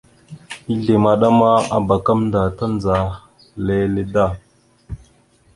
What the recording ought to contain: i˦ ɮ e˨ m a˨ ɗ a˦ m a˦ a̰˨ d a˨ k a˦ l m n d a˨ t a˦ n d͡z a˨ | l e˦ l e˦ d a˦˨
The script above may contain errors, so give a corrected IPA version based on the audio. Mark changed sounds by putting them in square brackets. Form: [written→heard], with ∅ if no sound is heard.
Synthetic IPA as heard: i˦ ɮ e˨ m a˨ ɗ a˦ m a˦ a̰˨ [d→b] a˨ k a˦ [l→∅] m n d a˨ t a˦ n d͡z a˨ | l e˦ l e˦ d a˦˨